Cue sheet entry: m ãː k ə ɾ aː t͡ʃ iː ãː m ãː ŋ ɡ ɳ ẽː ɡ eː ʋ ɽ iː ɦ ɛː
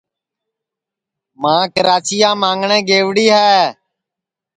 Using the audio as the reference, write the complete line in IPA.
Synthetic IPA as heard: m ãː k ə ɾ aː t͡ʃ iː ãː m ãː ŋ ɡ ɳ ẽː ɡ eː ʋ ɽ iː ɦ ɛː